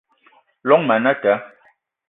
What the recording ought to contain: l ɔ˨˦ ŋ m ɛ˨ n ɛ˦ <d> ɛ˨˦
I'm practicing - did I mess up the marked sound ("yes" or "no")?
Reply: yes